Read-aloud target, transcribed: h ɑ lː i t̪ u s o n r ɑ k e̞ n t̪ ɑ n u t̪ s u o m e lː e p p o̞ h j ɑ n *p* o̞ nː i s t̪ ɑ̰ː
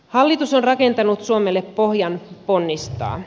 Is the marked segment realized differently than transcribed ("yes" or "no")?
no